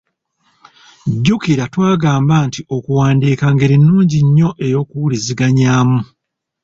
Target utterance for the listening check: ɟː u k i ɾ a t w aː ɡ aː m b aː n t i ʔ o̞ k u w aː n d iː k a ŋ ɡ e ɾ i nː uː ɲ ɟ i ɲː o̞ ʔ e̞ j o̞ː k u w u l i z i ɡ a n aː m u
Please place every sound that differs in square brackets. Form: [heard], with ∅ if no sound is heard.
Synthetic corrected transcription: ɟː u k i ɾ a t w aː ɡ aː m b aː n t i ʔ o̞ k u w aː n d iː k a ŋ ɡ e ɾ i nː uː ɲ ɟ i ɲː o̞ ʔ e̞ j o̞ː k u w u l i z i ɡ a [ɲ] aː m u